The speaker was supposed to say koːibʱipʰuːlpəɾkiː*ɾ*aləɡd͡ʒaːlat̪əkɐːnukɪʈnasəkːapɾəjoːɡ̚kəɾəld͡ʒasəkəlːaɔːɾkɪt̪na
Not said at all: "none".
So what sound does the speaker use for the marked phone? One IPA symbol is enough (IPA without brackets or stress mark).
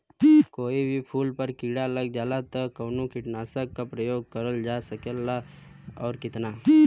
ɽ